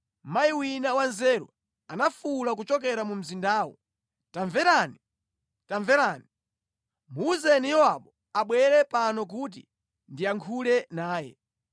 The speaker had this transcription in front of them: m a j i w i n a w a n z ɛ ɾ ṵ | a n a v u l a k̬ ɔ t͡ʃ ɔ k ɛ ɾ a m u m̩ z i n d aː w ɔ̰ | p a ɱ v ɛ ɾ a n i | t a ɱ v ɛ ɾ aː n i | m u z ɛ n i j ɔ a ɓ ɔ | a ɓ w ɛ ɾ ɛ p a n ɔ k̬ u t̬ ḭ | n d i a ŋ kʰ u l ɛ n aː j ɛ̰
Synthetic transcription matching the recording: m a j i w i n a w a n z ɛ ɾ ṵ | a n a f u l a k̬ u t͡ʃ ɔ k ɛ ɾ a m u m̩ z i n d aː w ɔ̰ | t a ɱ v ɛ ɾ a n i | t a ɱ v ɛ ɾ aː n i | m u z ɛ n i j ɔ a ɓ ɔ | a ɓ w ɛ ɾ ɛ p a n ɔ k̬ u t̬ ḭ | n d i a ŋ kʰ u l ɛ n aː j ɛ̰